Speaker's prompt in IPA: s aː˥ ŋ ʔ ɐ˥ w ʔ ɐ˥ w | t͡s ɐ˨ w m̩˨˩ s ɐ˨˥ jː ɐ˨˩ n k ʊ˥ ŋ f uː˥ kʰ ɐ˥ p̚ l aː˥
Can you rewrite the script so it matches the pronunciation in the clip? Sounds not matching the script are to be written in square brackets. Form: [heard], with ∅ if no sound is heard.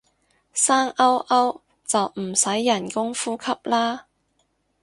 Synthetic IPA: s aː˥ ŋ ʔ ɐ˥ w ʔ ɐ˥ w | t͡s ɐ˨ w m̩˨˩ s ɐ˨˥ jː ɐ˨˩ n k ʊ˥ ŋ f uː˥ kʰ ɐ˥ p̚ l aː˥